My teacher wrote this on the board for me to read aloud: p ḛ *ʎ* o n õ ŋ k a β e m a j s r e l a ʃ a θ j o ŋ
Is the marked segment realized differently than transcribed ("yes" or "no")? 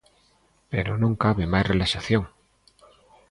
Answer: yes